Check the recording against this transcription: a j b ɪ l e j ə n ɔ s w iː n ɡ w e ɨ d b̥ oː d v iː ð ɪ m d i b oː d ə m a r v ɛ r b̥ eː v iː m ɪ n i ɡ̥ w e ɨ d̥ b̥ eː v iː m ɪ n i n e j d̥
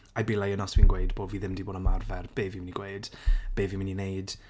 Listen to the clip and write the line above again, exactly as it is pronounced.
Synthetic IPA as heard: a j b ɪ l a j ə n ɔ s w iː n ɡ w e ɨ d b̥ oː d v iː ð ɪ m d i b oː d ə m a r v ɛ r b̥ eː v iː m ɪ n i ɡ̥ w e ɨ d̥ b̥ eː v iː m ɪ n i n e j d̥